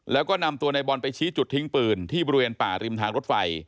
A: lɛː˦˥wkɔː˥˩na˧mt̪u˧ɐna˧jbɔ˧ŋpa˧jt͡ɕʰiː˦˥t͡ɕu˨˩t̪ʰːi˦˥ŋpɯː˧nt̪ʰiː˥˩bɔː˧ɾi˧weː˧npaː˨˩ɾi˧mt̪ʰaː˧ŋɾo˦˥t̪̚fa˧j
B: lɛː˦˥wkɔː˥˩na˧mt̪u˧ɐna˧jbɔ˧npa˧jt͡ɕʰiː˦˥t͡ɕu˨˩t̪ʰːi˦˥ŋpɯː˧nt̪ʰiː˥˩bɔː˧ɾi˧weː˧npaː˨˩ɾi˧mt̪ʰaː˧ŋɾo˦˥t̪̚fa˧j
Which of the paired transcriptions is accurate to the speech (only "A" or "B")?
B